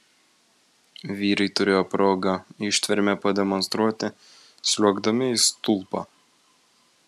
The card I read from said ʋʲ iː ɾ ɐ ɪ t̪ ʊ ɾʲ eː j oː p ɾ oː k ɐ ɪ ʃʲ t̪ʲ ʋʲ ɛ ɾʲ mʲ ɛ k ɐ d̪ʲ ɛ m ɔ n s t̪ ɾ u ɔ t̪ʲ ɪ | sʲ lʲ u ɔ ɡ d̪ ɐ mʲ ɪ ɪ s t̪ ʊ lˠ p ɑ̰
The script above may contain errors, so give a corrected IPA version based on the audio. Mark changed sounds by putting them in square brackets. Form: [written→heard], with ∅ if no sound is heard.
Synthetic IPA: ʋʲ iː ɾ ɐ ɪ t̪ ʊ ɾʲ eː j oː p ɾ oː [k→ɡ] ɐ ɪ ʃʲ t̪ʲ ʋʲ ɛ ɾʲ mʲ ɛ [k→p] ɐ d̪ʲ ɛ m ɔ n s t̪ ɾ u ɔ t̪ʲ ɪ | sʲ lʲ u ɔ ɡ d̪ ɐ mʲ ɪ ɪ s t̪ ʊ lˠ p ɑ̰